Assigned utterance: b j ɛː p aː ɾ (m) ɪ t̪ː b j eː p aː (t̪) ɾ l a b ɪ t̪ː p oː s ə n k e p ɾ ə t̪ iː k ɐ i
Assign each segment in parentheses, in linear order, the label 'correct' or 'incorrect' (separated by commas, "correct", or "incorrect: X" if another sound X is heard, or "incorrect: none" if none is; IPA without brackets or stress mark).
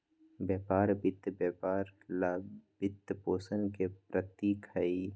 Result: incorrect: b, incorrect: none